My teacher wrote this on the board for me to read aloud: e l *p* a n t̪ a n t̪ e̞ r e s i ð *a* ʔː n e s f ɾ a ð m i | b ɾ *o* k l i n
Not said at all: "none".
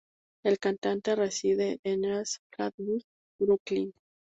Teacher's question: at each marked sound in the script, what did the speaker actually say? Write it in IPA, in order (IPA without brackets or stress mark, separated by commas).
k, e, u